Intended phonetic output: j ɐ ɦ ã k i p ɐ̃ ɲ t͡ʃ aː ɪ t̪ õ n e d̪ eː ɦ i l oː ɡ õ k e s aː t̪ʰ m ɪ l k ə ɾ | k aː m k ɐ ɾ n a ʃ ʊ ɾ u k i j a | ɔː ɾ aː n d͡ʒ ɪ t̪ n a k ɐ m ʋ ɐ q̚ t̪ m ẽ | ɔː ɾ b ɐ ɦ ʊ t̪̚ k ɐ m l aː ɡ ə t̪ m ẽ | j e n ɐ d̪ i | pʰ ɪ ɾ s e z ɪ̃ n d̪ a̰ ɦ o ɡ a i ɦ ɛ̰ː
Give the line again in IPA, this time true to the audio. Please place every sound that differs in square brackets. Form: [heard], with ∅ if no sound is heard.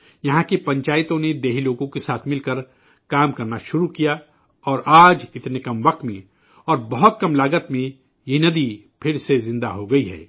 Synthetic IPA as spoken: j ɐ ɦ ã k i p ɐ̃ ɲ t͡ʃ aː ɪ t̪ õ n e d̪ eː ɦ i l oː ɡ õ k e s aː t̪ʰ m ɪ l k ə ɾ | k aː m k ɐ ɾ n a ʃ ʊ ɾ u k i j a | ɔː ɾ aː [∅] d͡ʒ ɪ t̪ n [e] k ɐ m ʋ ɐ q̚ t̪ m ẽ | ɔː ɾ b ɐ ɦ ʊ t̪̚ k ɐ m l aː ɡ ə t̪ m ẽ | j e n ɐ d̪ i | pʰ ɪ ɾ s e z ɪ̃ n d̪ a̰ ɦ o ɡ [ɐ] i ɦ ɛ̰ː